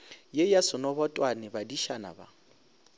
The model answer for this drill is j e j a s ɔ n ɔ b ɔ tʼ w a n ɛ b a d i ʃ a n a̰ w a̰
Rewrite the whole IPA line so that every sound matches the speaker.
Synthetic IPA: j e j a s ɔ n ɔ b ɔ tʼ w a n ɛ b a d i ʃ a n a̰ b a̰

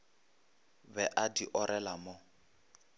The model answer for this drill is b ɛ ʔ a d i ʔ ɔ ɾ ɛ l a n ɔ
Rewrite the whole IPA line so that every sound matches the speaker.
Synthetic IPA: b ɛ ʔ a d i ʔ ɔ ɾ ɛ l a m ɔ

